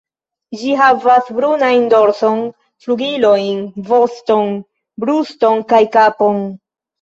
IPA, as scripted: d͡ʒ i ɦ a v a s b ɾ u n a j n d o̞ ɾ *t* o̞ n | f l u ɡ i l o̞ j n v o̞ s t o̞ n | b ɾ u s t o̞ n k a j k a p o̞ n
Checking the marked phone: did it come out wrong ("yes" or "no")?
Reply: yes